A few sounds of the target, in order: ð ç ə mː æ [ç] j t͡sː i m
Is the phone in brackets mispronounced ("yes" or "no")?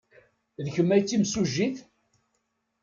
yes